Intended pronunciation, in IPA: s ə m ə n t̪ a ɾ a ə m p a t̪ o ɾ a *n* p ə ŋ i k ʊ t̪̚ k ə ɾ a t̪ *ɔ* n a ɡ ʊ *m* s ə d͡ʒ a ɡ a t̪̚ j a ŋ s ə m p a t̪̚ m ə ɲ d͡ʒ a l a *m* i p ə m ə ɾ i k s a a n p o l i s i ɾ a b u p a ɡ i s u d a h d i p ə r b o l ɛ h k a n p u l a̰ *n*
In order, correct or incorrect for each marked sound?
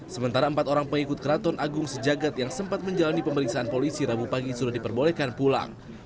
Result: incorrect: ŋ, correct, incorrect: ŋ, incorrect: n, incorrect: ŋ

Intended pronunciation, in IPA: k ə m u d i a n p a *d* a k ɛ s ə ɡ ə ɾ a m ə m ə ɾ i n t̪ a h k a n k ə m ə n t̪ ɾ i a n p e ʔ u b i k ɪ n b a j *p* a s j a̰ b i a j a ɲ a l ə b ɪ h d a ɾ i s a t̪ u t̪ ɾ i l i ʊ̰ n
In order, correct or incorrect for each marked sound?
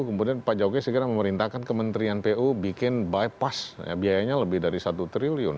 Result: incorrect: d͡ʒ, correct

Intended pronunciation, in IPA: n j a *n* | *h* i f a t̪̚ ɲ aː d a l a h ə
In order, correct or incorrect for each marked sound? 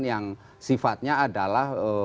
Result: incorrect: ŋ, incorrect: s

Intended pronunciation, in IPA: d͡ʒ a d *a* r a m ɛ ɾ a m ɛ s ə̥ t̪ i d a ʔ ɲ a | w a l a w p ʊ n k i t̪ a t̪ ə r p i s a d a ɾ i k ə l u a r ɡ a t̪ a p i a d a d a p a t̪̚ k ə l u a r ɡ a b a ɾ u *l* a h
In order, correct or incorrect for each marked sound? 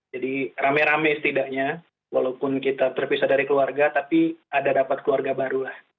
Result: incorrect: i, correct

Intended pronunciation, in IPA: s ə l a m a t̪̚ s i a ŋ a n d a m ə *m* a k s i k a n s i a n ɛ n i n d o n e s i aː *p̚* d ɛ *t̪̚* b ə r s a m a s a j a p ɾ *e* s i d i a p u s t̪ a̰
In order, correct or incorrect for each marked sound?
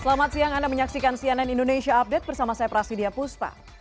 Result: incorrect: ɲ, correct, correct, incorrect: a

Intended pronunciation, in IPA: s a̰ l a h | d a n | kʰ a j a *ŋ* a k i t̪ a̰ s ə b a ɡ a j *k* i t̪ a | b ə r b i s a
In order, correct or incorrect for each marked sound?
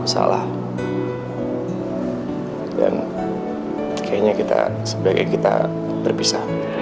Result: incorrect: ɲ, correct

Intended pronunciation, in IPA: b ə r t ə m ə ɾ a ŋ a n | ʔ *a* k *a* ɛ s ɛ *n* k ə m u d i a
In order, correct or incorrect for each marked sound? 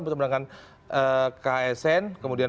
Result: incorrect: ə, correct, correct

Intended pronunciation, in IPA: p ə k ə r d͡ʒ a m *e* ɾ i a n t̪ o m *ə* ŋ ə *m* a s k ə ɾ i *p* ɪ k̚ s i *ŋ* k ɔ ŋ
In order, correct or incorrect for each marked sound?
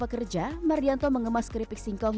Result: incorrect: a, correct, correct, correct, correct

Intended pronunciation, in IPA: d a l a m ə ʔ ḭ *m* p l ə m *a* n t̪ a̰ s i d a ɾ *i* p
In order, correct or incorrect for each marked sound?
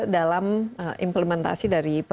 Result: correct, incorrect: ɛ, correct

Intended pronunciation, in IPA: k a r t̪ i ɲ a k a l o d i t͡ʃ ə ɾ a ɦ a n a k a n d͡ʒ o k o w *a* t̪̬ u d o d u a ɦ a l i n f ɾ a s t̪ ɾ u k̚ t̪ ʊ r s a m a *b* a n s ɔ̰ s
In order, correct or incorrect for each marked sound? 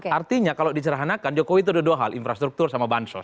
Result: incorrect: i, correct

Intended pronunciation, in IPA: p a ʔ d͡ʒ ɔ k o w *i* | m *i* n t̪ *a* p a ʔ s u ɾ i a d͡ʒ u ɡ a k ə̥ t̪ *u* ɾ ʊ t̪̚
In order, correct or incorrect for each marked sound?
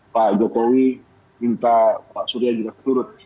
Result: correct, correct, correct, correct

